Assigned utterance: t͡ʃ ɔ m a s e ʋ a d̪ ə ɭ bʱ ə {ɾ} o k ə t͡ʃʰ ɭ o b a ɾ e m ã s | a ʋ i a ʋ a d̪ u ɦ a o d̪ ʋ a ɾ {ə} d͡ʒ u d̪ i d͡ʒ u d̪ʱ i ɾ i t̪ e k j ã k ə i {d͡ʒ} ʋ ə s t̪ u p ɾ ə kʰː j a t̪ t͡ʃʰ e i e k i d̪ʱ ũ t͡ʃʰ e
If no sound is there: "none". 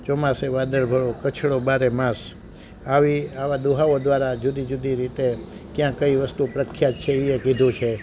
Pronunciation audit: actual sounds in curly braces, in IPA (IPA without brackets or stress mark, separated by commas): ɭ, a, none